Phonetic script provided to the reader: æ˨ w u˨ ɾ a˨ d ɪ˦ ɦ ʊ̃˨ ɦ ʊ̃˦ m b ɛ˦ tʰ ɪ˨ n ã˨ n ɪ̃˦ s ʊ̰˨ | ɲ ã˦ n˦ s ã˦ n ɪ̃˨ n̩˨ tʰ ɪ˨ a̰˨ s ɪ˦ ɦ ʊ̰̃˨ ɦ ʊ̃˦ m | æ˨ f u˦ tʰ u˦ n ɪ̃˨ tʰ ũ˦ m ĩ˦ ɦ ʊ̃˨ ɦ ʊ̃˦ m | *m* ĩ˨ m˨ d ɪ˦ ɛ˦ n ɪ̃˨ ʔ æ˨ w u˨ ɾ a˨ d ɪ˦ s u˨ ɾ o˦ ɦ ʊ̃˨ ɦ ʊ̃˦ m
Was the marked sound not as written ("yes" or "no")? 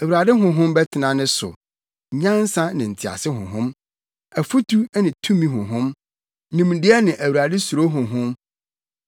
yes